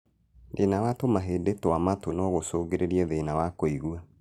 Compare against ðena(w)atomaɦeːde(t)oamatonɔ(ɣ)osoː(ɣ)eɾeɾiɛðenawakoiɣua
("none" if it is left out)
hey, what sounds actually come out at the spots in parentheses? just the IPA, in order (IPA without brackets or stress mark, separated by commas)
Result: w, t, ɣ, ɣ